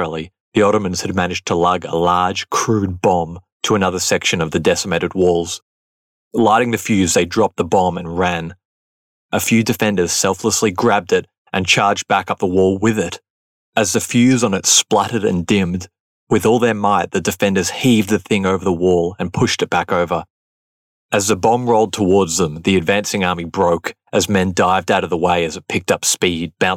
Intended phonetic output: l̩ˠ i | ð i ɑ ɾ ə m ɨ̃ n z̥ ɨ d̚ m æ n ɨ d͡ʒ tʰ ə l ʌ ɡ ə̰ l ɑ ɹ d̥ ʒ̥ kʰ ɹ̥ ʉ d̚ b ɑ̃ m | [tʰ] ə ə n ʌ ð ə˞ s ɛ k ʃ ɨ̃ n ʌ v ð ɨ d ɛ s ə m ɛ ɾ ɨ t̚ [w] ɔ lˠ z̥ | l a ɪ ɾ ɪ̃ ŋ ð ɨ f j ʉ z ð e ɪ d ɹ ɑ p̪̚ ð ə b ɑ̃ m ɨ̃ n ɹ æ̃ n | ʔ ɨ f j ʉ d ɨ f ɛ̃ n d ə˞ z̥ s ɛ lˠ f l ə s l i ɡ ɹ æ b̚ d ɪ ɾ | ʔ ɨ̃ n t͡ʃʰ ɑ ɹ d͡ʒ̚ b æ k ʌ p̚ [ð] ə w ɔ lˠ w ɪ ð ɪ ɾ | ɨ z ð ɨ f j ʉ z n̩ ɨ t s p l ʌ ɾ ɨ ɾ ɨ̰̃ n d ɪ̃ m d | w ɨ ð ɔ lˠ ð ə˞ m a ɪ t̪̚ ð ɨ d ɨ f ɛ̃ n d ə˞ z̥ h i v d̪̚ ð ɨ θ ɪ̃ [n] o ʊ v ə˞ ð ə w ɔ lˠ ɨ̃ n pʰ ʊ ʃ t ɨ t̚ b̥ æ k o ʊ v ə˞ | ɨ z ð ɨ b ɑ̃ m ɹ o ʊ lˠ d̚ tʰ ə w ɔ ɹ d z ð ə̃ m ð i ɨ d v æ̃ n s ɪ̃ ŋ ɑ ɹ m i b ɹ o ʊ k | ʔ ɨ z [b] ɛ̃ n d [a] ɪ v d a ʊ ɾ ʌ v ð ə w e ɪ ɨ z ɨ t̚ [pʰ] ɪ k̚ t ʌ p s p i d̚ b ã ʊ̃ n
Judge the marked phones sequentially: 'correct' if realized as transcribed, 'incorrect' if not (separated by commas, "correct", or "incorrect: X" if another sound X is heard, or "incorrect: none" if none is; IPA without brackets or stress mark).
correct, correct, correct, incorrect: ŋ, incorrect: m, correct, correct